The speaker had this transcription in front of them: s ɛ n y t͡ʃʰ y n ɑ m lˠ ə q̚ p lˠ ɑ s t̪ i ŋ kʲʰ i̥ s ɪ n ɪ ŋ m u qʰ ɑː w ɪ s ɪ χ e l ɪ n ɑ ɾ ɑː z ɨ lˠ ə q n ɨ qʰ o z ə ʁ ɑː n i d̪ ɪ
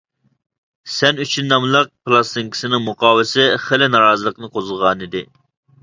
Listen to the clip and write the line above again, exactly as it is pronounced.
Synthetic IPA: s ɛ n y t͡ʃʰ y nː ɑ m lˠ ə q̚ p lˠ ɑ s t̪ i ŋ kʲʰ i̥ s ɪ n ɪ ŋ m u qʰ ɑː w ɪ s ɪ χ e l ɪ n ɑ ɾ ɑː z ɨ lˠ ə q n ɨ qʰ o z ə ʁ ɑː n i d̪ ɪ